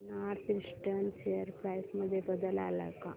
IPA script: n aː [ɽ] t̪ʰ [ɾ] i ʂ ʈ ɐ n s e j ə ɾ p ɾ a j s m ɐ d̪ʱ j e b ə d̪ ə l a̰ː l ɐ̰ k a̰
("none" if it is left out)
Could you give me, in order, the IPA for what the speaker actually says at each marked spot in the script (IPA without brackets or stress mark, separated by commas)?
ɾ, ɾ